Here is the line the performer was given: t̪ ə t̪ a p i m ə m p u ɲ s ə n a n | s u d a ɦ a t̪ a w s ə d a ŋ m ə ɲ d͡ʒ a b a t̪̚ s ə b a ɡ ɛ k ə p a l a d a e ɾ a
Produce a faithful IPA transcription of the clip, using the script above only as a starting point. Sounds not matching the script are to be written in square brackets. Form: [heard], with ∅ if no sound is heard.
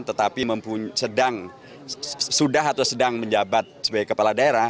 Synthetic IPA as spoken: t̪ ə t̪ a p i m ə m p u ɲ s ə [d] a [ŋ] | s u d a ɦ a t̪ a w s ə d a ŋ m ə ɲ d͡ʒ a b a t̪̚ s ə b a ɡ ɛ k ə p a l a d a e ɾ a